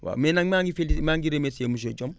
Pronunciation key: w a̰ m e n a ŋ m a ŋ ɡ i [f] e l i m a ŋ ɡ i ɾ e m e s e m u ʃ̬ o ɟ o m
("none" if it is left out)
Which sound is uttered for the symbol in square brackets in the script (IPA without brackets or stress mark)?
f